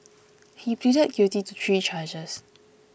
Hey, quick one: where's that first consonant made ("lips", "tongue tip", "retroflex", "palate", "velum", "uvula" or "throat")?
throat